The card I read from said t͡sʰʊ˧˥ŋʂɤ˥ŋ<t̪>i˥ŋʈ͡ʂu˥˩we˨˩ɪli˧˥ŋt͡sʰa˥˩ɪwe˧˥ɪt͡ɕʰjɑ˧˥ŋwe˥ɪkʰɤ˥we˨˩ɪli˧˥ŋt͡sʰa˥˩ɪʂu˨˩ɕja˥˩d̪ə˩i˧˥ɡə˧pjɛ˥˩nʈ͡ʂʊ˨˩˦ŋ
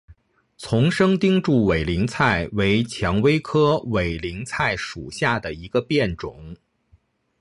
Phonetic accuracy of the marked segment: correct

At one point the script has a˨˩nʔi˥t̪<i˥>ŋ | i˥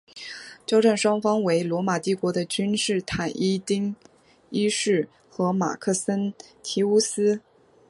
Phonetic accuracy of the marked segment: correct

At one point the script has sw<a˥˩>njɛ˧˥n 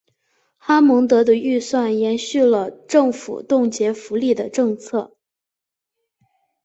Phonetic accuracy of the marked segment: correct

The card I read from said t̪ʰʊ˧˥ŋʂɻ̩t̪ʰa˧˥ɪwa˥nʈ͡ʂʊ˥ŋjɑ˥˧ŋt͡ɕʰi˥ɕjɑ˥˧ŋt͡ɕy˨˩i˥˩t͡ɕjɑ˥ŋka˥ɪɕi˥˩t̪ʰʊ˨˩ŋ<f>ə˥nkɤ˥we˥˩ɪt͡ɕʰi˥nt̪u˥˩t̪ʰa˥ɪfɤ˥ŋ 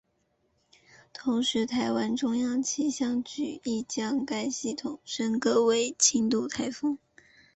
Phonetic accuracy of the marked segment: incorrect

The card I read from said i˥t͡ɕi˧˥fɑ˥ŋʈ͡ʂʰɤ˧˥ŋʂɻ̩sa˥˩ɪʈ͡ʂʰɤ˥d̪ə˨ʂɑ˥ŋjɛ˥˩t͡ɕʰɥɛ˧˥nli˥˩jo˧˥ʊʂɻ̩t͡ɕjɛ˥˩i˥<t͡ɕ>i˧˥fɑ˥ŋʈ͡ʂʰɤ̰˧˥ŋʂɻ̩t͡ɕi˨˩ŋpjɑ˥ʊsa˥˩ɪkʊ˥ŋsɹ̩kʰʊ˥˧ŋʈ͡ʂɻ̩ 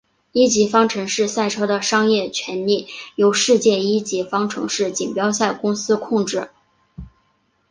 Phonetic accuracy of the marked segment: correct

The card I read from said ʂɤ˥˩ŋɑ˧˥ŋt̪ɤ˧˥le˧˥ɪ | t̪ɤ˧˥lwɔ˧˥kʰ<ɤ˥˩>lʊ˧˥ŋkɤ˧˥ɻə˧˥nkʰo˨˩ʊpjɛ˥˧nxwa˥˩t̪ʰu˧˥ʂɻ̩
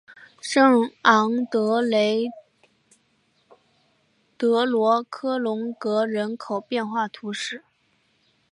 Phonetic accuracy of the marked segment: incorrect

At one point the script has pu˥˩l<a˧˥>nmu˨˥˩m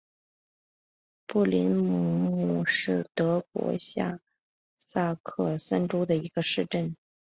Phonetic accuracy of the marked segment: incorrect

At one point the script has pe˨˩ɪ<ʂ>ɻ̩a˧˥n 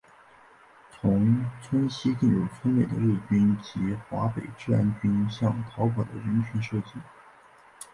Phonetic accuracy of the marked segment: incorrect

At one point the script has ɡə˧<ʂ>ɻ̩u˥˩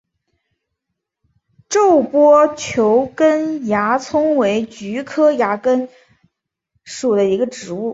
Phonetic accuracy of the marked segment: incorrect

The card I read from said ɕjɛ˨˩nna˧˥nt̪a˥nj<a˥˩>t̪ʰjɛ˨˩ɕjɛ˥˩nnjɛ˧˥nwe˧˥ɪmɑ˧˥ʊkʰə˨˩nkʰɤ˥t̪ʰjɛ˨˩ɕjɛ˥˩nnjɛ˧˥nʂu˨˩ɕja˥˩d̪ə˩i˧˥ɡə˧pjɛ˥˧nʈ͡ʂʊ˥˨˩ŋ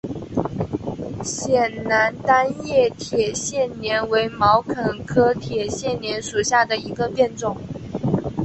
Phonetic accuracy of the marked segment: incorrect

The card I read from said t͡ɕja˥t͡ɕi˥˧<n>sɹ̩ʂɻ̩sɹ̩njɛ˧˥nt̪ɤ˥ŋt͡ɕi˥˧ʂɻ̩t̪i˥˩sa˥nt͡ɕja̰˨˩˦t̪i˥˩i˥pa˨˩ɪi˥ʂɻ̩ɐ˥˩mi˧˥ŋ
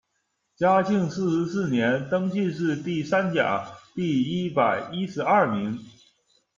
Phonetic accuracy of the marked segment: incorrect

